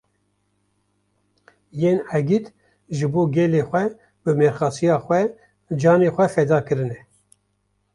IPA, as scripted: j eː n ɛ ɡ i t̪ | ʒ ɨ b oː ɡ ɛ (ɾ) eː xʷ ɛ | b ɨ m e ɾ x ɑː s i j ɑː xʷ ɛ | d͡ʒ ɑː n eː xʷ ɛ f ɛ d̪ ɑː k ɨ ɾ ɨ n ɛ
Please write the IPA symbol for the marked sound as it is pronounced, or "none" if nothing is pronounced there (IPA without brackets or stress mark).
l